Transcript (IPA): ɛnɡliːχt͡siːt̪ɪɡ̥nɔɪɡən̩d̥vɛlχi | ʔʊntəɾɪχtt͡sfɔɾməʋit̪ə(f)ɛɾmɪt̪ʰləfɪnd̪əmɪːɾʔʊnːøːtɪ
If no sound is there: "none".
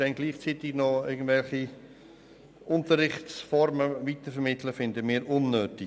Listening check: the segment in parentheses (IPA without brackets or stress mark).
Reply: f